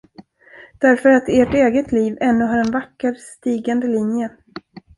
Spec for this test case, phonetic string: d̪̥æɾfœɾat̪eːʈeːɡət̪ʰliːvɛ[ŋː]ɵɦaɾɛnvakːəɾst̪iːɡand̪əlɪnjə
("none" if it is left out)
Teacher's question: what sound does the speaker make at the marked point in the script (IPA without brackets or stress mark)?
nː